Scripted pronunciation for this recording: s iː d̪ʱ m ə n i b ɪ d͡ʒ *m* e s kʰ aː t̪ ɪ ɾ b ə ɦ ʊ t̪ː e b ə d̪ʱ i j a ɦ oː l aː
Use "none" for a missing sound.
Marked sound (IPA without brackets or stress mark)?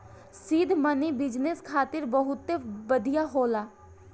n